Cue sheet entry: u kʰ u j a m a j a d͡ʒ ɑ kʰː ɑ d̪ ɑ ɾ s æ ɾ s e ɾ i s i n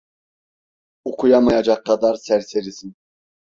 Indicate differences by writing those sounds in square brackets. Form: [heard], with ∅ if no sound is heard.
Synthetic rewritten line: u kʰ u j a m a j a d͡ʒ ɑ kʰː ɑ d̪ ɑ ɾ s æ ɾ s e ɾ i s i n